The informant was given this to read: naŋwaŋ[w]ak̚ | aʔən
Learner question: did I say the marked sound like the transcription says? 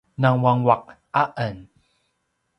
yes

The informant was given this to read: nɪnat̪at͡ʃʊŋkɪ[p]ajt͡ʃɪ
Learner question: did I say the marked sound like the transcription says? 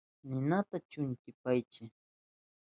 yes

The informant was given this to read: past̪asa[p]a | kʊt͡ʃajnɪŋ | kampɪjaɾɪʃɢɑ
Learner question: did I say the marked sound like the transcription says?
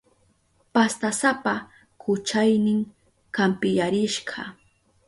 yes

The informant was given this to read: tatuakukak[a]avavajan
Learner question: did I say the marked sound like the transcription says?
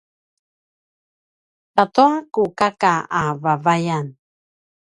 yes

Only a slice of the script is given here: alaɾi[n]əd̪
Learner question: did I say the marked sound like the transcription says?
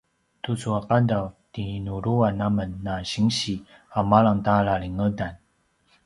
no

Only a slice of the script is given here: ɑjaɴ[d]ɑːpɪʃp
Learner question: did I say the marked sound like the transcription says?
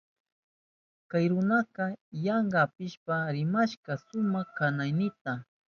no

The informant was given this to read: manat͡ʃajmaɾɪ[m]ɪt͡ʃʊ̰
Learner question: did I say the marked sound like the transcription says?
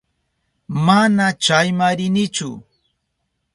no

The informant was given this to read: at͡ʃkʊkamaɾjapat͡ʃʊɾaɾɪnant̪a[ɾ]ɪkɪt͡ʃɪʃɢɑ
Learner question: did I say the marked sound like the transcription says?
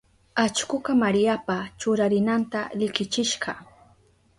no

